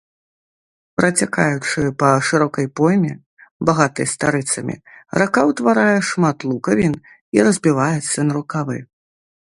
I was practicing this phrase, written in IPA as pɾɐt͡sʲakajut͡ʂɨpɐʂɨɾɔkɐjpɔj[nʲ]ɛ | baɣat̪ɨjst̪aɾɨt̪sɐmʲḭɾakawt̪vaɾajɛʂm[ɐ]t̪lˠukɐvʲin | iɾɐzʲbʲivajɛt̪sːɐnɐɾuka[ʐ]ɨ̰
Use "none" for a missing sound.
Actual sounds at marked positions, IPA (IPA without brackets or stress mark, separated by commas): mʲ, a, v